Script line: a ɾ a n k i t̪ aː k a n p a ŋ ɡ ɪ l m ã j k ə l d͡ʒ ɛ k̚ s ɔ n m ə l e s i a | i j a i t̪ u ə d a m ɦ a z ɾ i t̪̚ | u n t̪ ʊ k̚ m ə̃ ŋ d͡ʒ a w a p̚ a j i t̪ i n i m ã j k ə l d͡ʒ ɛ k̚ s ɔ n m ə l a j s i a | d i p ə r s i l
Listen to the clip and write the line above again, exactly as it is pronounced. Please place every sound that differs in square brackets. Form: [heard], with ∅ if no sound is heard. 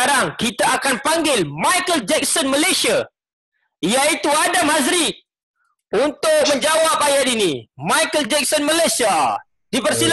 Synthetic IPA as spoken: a ɾ a [ŋ] k i t̪ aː k a n p a ŋ ɡ ɪ l m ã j k ə l d͡ʒ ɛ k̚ s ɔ n m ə l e s i a | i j a i t̪ u [a] d a m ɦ a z ɾ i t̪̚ | u n t̪ ʊ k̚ m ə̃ [ɲ] d͡ʒ a w a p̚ a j [a] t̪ i n i m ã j k ə l d͡ʒ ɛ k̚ s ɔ n m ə l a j s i a | d i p ə r s i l